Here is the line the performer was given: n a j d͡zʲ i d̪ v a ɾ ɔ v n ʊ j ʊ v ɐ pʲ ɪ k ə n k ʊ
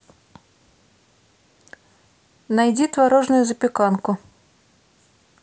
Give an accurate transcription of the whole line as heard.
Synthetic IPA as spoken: n a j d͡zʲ i t̪ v a ɾ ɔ ʐ n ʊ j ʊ z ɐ pʲ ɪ k a n k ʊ